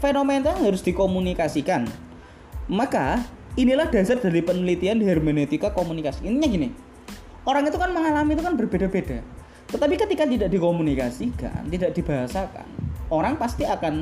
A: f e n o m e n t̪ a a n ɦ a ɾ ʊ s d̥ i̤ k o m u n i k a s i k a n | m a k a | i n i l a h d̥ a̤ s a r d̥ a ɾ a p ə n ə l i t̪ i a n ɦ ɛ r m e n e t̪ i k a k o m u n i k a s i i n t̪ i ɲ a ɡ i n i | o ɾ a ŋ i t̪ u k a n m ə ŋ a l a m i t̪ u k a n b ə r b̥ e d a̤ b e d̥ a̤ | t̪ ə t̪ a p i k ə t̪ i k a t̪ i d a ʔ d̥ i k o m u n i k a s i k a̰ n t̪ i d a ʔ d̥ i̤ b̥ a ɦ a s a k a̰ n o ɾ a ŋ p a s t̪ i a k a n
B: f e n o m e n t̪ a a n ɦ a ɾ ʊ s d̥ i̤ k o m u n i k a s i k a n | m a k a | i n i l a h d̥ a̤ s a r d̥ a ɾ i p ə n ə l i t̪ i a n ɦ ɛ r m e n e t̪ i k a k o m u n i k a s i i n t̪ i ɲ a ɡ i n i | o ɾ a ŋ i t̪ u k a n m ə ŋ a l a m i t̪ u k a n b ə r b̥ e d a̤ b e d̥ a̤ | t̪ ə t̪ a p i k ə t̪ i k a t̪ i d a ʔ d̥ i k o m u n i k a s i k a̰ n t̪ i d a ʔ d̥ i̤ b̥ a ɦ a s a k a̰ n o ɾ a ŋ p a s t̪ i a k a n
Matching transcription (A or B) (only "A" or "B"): B